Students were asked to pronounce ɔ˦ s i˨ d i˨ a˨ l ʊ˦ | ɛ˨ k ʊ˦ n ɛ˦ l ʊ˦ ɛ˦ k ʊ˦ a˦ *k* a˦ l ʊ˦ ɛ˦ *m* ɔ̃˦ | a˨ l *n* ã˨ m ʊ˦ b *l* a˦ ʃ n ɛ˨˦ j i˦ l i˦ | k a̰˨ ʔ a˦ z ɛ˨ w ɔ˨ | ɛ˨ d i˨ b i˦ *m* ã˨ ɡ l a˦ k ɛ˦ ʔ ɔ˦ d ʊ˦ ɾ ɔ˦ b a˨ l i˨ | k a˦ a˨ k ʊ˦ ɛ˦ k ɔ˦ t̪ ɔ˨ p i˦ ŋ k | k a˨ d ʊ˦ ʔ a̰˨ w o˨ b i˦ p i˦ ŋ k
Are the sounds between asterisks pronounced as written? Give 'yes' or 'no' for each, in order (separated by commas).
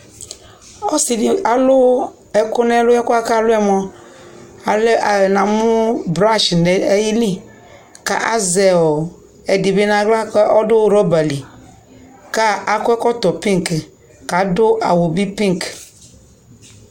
yes, yes, yes, no, no